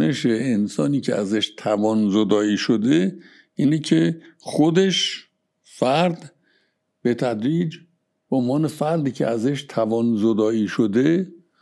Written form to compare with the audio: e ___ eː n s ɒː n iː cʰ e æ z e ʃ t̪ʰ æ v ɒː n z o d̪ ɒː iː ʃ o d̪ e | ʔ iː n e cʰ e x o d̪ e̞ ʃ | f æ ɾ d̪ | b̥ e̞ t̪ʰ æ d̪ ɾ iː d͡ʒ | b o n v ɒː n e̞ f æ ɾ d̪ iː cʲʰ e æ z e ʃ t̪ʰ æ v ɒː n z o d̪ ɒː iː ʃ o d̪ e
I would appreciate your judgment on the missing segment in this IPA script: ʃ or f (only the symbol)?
ʃ